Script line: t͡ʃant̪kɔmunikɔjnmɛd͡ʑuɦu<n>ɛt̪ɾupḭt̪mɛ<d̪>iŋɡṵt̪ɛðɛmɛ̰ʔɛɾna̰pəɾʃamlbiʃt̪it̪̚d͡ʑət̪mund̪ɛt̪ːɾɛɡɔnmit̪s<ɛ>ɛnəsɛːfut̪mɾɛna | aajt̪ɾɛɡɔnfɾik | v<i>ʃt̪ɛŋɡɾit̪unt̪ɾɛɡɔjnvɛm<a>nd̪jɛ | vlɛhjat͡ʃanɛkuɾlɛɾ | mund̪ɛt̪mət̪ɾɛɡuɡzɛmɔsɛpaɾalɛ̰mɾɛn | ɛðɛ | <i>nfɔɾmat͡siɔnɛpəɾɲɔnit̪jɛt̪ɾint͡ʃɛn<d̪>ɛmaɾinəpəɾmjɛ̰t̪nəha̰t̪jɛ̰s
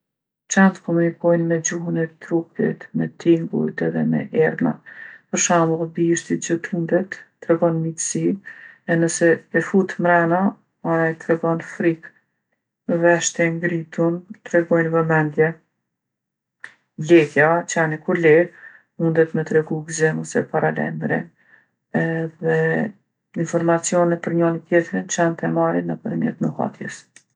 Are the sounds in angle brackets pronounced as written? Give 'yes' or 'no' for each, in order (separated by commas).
yes, no, no, no, no, yes, no